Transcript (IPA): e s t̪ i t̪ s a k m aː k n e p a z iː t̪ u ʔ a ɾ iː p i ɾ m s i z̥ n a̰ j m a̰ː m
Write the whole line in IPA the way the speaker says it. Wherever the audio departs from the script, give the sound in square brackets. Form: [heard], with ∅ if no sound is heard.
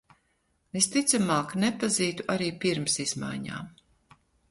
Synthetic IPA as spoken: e s t̪ i t̪ s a [∅] m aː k n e p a z iː t̪ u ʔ a ɾ iː p i ɾ m s i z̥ [m] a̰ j [ɲ] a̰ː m

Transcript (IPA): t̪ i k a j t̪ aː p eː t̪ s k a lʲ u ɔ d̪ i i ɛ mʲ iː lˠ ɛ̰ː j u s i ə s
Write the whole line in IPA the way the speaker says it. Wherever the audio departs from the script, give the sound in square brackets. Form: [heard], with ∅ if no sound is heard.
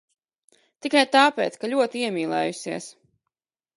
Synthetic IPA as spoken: t̪ i k a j t̪ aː p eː t̪ s k a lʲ u ɔ [t̪] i i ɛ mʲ iː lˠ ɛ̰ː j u s i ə s

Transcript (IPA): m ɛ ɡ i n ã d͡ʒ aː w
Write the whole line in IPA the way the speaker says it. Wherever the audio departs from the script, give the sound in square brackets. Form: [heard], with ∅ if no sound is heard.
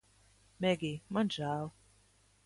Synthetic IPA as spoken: m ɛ ɡ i [m] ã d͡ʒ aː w

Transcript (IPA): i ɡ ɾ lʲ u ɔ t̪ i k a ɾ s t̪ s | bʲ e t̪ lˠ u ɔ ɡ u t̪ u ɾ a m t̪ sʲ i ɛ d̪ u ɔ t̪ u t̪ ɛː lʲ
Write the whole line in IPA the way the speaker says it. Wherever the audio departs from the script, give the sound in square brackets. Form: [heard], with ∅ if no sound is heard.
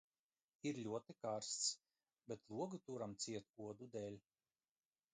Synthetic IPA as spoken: i [∅] ɾ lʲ u ɔ t̪ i k a ɾ s t̪ s | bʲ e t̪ lˠ u ɔ ɡ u t̪ u ɾ a m t̪ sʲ i ɛ [t̪] u ɔ [d̪] u [d̪] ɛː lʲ

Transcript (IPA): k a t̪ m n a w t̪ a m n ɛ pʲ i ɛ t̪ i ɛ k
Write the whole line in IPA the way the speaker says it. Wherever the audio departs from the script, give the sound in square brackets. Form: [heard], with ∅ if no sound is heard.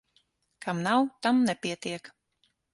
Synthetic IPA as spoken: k a [∅] m n a w t̪ a m n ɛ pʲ i ɛ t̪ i ɛ k

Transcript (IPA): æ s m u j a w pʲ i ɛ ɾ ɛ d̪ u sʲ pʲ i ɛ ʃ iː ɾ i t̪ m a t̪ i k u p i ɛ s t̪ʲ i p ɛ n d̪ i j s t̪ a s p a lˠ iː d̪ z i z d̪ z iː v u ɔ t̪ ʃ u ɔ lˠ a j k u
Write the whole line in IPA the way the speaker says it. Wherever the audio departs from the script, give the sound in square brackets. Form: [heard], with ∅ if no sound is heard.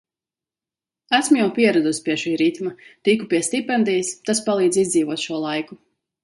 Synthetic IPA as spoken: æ s m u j a w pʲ i ɛ ɾ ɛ d̪ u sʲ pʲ i ɛ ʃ iː ɾ i t̪ m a t̪ i k u p i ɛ s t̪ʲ i p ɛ n d̪ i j s t̪ a s p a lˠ iː d̪ z i z d̪ z iː v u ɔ t̪ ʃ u ɔ lˠ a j k u

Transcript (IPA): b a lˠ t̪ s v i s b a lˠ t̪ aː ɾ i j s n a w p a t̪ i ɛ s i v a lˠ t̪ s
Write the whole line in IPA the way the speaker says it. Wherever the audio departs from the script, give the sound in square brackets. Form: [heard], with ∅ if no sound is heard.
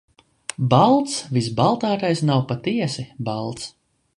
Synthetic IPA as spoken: b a lˠ t̪ s v i s b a lˠ t̪ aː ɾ [a] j s n a w p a t̪ i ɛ s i [b] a lˠ t̪ s

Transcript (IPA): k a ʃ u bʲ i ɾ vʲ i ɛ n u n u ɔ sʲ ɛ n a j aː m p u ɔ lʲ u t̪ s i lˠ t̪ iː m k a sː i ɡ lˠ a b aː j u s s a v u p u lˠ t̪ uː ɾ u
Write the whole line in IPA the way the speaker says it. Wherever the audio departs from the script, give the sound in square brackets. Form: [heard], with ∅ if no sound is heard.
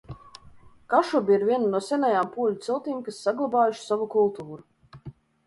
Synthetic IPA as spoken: k a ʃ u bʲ i ɾ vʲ i ɛ n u n u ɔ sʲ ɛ n a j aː m p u ɔ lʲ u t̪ s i lˠ t̪ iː m k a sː [a] ɡ lˠ a b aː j u [ʃ] s a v u [k] u lˠ t̪ uː ɾ u

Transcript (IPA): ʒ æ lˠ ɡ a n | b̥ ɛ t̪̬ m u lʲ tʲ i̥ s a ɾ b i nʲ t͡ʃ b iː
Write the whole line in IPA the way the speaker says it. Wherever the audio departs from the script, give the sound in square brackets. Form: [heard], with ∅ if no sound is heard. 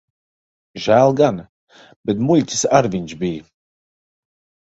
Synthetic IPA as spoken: ʒ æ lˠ ɡ a n | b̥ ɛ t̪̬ m u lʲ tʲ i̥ s a ɾ [v] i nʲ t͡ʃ b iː

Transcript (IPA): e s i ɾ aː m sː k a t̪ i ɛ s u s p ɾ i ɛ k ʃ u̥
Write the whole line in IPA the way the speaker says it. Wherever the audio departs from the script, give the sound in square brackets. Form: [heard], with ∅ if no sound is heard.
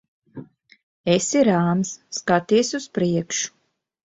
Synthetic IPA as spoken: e s i ɾ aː m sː k a t̪ i ɛ s u s p ɾ i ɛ k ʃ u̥

